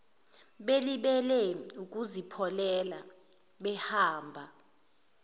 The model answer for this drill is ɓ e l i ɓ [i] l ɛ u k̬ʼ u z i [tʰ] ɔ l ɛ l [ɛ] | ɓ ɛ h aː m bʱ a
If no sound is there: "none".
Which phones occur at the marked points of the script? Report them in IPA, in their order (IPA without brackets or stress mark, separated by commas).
ɛ, pʰ, a